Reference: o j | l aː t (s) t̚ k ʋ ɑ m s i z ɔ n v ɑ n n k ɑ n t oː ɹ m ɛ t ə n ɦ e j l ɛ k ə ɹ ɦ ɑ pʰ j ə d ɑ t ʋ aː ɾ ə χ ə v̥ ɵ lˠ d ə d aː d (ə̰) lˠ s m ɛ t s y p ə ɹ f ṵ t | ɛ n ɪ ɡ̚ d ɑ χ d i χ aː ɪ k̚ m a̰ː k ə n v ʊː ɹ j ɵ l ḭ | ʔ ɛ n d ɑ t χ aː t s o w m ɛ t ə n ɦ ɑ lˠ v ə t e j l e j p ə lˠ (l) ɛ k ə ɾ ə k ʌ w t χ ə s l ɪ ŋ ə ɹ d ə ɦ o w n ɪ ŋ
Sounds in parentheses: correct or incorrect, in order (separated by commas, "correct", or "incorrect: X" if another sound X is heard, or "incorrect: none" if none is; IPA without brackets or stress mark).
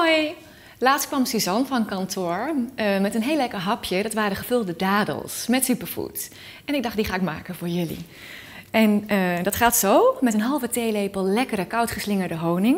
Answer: correct, correct, correct